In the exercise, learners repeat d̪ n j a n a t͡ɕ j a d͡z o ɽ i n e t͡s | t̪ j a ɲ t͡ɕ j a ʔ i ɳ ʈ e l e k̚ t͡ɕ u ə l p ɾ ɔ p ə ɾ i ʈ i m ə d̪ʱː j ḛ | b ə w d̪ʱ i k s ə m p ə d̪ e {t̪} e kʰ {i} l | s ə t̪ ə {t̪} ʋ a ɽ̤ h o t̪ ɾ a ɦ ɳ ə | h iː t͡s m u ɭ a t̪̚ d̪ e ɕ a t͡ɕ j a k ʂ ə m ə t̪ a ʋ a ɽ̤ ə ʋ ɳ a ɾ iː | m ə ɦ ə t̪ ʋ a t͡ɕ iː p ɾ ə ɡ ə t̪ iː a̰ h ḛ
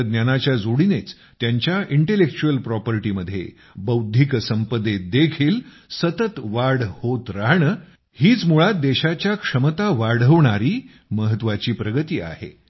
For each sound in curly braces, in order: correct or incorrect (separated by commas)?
incorrect, incorrect, correct